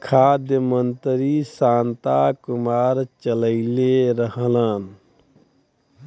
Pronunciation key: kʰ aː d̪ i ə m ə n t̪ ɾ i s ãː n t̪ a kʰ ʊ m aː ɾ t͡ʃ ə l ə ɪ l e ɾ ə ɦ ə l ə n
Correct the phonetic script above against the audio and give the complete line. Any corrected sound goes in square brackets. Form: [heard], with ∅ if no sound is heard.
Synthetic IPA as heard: kʰ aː d̪ [j] ə m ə n t̪ ɾ i s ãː n t̪ a [k] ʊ m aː ɾ t͡ʃ ə l ə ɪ l e ɾ ə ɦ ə l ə n